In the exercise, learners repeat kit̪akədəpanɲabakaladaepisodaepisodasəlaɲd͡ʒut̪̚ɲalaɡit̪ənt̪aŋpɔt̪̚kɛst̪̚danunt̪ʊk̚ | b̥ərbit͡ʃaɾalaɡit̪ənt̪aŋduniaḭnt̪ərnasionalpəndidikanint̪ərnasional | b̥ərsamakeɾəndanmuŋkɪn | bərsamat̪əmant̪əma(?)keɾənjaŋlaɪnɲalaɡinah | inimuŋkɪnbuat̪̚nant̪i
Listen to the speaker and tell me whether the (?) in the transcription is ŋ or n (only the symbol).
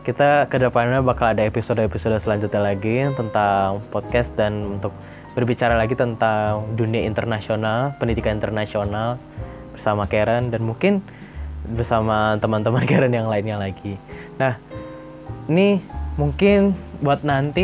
n